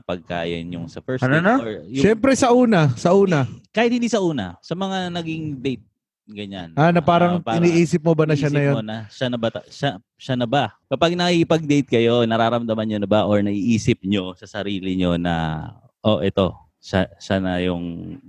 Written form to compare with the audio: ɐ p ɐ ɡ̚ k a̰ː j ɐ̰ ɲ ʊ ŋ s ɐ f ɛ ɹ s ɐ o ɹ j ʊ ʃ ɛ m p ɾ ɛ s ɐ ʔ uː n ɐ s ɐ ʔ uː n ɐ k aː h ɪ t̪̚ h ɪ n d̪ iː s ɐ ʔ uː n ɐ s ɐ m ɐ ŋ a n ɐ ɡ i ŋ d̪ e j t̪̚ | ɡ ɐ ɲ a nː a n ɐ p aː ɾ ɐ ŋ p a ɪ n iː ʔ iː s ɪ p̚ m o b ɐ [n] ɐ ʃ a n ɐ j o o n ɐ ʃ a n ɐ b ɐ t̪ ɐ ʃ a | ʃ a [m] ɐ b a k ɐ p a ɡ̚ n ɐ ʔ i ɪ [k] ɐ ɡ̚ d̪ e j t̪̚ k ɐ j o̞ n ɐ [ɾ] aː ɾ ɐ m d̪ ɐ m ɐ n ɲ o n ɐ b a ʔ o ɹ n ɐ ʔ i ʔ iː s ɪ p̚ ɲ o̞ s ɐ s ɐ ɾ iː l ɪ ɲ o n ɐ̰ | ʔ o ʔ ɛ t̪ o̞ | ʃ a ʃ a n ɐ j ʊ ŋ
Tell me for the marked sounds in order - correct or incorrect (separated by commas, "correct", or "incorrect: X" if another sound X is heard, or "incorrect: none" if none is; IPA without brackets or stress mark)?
correct, incorrect: n, incorrect: p, correct